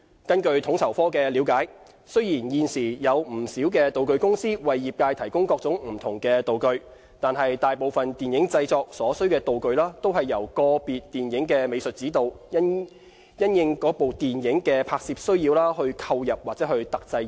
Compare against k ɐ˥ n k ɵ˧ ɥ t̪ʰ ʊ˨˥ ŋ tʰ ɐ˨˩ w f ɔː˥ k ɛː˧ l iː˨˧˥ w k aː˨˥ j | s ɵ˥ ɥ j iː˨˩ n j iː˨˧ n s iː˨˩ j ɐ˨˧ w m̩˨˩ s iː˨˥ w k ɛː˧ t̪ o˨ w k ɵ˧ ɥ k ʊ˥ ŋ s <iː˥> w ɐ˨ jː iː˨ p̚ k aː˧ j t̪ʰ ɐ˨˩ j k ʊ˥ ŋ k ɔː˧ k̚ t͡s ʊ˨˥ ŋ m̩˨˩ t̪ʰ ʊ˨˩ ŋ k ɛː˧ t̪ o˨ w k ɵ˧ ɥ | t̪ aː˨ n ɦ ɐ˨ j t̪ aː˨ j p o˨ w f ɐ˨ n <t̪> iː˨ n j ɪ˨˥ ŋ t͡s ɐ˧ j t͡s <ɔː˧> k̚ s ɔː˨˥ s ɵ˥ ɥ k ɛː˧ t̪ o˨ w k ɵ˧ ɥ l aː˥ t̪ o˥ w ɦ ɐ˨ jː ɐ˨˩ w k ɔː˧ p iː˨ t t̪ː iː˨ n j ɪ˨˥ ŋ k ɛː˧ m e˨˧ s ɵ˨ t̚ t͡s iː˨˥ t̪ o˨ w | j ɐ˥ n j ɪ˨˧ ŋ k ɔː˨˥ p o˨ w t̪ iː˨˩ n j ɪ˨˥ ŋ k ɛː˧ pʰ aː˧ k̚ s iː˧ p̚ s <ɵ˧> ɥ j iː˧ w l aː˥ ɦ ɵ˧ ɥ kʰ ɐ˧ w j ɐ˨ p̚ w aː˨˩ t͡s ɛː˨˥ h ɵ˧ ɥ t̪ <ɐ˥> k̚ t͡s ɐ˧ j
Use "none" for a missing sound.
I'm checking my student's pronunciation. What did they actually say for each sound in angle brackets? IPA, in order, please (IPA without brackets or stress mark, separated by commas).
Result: iː˥, t̪, ɔː˧, ɵ˥, ɐ˨